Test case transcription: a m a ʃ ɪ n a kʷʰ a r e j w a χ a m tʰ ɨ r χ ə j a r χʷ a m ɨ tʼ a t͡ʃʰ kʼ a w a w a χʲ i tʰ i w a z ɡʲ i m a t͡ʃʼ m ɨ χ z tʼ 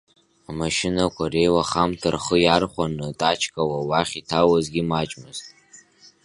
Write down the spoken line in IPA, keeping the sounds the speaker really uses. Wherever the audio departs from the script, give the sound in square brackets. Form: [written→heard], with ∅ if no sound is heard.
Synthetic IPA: a m a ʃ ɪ n a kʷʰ a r e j w a χ a m tʰ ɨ r χ ə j a r χʷ a [m→n] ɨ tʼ a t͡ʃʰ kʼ a w a w a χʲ i tʰ [i→a] w a z ɡʲ i m a t͡ʃʼ m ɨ [χ→∅] z tʼ